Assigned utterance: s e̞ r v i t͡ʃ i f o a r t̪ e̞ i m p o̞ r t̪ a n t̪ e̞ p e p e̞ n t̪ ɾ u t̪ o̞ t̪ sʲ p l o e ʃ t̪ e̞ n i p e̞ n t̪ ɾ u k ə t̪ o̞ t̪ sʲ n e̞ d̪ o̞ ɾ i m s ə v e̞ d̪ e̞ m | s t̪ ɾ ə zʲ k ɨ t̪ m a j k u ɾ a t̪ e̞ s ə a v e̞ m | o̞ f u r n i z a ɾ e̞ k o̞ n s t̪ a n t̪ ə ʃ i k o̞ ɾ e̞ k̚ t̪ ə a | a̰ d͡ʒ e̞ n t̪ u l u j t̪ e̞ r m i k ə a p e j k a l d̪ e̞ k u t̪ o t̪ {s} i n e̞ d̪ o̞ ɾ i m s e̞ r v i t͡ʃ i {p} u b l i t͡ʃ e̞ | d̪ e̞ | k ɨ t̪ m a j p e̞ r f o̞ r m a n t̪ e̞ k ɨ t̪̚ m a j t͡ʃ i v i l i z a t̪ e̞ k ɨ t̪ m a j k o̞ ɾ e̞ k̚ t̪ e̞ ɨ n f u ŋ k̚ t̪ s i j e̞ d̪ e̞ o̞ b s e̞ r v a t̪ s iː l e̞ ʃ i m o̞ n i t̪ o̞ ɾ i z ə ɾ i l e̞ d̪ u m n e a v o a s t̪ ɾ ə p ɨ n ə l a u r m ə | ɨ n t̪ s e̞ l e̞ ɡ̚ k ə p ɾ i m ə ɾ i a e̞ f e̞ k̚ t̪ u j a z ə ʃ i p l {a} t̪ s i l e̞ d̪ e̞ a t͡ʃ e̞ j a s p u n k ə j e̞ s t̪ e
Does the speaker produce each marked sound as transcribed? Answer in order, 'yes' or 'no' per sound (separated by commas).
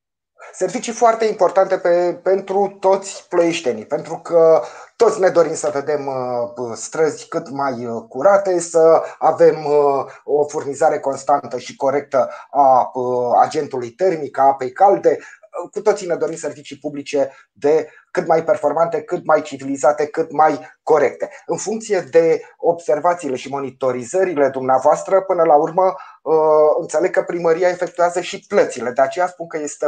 yes, yes, no